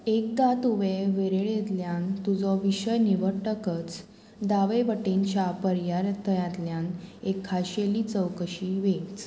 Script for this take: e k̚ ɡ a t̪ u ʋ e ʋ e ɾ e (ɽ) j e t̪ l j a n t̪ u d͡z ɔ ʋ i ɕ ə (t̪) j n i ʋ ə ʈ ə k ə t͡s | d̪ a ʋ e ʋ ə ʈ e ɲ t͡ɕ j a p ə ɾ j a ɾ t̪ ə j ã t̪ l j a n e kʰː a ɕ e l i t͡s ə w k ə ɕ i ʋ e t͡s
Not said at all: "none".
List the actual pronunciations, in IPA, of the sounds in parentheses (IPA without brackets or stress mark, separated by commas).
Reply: ɭ, none